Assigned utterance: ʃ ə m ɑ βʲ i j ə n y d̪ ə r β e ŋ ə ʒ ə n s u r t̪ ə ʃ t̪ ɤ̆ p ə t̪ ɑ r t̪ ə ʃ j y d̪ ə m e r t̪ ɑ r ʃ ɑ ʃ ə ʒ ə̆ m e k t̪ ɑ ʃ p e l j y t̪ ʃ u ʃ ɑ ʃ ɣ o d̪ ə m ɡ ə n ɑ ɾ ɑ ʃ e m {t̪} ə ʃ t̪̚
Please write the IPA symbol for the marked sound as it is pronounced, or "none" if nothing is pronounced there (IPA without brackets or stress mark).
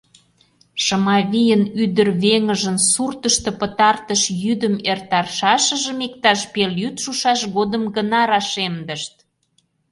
d̪